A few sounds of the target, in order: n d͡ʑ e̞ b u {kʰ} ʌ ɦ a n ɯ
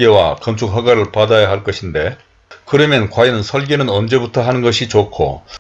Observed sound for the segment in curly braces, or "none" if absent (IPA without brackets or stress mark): tʰ